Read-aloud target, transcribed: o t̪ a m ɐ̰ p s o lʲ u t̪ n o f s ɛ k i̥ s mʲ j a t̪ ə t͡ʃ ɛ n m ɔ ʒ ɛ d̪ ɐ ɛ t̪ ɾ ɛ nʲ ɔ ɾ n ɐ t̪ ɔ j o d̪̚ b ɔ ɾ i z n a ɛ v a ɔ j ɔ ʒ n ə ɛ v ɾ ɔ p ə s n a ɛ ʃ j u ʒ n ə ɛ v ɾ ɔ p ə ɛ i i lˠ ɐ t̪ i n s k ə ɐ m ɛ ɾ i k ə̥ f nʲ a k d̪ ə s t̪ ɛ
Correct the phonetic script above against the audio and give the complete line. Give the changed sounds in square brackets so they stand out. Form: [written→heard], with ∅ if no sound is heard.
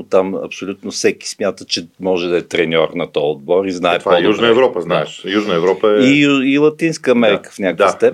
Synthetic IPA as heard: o t̪ a m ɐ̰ p s o lʲ u t̪ n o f s ɛ k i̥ s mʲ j a t̪ ə t͡ʃ ɛ [n→∅] m ɔ ʒ ɛ d̪ ɐ ɛ t̪ ɾ ɛ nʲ ɔ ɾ n ɐ t̪ ɔ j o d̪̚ b ɔ ɾ i z n a ɛ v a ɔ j [ɔ→u] ʒ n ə ɛ v ɾ ɔ p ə [s→z] n a ɛ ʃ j u ʒ n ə ɛ v ɾ ɔ p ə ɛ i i lˠ ɐ t̪ i n s k ə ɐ m ɛ ɾ i k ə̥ f nʲ a k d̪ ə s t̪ ɛ